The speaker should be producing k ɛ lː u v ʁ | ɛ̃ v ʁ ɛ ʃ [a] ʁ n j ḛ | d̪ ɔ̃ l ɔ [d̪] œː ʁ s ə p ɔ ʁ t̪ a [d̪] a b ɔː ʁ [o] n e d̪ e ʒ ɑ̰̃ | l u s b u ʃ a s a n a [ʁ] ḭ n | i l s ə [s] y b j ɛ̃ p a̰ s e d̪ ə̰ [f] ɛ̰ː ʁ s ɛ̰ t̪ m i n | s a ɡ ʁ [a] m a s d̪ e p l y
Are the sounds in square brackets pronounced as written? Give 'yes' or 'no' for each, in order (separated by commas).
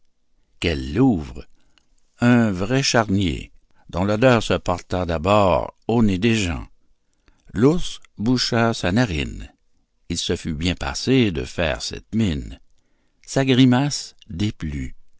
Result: yes, yes, yes, yes, yes, no, yes, no